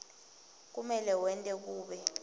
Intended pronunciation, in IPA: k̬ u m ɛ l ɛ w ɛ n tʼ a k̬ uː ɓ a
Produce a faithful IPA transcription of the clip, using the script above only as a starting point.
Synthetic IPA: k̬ u m ɛ l ɛ w ɛ n tʼ ɛ k̬ uː ɓ ɛ

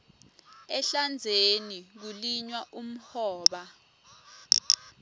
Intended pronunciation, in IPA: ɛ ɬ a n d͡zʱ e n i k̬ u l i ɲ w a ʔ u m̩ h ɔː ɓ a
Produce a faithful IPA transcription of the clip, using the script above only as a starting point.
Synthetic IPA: ɛ ɬ a n d͡zʱ e n i k̬ u l i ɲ w a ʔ u m̩ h ɔː ɓ a

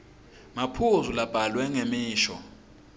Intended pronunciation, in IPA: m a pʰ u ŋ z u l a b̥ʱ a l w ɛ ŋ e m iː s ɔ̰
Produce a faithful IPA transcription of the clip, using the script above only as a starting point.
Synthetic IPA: m a pʰ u z u l a b̥ʱ a l w ɛ ŋ e m iː ʃ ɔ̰

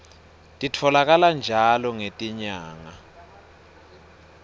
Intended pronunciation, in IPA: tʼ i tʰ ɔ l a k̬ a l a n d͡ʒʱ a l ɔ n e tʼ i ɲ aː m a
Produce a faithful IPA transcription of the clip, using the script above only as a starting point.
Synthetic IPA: tʼ i tʰ ɔ l a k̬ a l a n d͡ʒʱ a l ɔ ŋ e tʼ i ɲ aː ŋ a

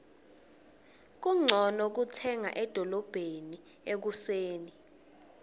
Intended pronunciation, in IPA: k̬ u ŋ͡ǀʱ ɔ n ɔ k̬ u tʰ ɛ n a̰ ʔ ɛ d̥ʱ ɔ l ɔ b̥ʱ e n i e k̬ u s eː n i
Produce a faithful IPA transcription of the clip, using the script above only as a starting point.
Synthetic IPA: k̬ u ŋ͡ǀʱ ɔ n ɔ k̬ u tʰ ɛ ŋ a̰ ʔ ɛ d̥ʱ ɔ l ɔ b̥ʱ e n i e k̬ u s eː n i

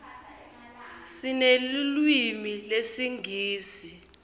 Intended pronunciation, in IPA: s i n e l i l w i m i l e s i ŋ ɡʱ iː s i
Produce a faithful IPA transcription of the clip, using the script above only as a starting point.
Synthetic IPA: s i n e l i l w i m i l e s i ŋ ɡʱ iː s i

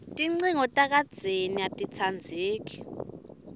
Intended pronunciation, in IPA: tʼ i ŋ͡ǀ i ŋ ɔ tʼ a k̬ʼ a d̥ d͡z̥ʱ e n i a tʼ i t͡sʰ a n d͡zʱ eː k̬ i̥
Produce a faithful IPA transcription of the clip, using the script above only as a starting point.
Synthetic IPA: tʼ i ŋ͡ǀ i ŋ ɔ tʼ a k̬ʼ a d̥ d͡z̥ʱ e n i a tʼ i t͡sʰ a n d͡zʱ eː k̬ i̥

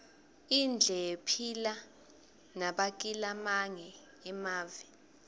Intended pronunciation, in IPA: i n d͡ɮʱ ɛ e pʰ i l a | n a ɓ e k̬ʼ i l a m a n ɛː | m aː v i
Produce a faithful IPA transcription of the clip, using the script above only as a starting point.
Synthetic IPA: i n d͡ɮʱ ɛ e pʰ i l a | n a ɓ a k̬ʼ i l a m a ŋ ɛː | m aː v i

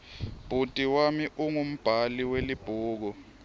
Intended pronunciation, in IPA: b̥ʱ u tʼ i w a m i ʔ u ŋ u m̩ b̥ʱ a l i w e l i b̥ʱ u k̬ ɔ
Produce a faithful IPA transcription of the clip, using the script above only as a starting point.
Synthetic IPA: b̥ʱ u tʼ i w a m i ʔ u ŋ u m̩ b̥ʱ a l i w e l i b̥ʱ uː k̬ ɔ

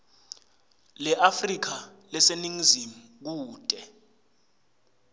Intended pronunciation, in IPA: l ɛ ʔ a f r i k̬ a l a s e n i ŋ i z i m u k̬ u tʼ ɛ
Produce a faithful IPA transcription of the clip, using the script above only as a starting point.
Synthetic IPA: l ɛ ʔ a f r i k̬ a l ɛ s e n i ŋ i z i m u k̬ uː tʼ ɛ

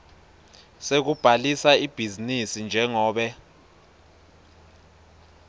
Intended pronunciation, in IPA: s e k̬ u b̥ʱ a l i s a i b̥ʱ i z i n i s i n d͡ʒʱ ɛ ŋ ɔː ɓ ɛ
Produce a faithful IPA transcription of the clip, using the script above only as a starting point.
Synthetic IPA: s e k̬ u b̥ʱ a l i s a i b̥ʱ i z i n i s i n d͡ʒʱ ɛ ŋ ɔː ɓ ɛ

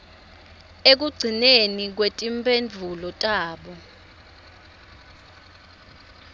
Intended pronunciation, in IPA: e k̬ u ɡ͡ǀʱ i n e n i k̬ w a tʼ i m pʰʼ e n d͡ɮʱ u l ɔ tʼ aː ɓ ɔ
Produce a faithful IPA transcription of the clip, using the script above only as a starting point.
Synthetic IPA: e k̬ u ɡ͡ǀʱ i n e n i k̬ w e tʼ i m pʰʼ e n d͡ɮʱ u l ɔ tʼ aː ɓ ɔ

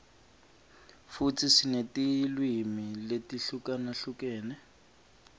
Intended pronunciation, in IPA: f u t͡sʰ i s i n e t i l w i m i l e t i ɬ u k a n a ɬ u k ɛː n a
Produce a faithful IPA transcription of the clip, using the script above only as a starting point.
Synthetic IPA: f u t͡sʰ i s i n e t i l w i m i l e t i ɬ u k a n a ɬ u k ɛː n ɛ

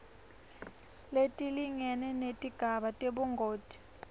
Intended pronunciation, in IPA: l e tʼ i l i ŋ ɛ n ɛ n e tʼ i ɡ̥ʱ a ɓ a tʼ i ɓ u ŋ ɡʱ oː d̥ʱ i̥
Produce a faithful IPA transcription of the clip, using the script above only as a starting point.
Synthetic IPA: l e tʼ i l i ŋ ɛ n ɛ n e tʼ i ɡ̥ʱ a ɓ a tʼ e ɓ u ŋ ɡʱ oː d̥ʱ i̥

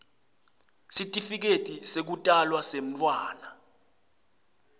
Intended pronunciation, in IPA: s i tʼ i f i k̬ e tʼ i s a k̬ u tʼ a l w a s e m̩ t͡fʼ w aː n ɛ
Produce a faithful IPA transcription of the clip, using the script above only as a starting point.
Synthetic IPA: s i tʼ i f i k̬ e tʼ i s e k̬ u tʼ a l w a s e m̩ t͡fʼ w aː n a

